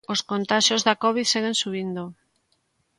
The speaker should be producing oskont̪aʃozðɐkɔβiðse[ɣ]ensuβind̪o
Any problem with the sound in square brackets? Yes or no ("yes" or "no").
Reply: no